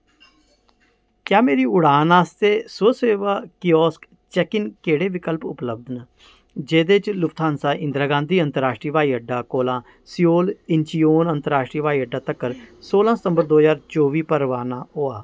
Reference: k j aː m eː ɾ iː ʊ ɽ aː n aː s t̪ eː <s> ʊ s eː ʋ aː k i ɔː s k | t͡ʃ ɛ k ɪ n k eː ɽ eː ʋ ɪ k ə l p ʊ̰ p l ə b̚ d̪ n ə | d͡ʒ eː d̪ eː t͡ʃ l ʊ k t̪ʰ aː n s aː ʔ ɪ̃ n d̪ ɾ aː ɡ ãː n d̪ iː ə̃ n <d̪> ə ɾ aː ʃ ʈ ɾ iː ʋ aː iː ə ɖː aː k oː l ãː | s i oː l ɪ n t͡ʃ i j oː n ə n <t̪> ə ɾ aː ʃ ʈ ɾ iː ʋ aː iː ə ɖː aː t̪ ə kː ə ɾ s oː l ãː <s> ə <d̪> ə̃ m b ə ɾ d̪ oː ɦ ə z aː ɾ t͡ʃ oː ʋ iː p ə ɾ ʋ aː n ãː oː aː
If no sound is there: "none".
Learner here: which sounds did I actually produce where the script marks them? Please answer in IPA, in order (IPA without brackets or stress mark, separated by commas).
s, t̪, t̪, s, t̪